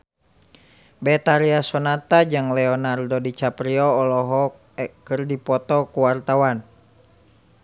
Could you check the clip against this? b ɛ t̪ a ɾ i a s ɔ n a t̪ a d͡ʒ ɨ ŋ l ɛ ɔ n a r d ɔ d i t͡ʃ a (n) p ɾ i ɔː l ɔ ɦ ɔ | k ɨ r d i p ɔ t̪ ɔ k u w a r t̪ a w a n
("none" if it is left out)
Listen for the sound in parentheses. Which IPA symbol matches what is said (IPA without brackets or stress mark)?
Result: none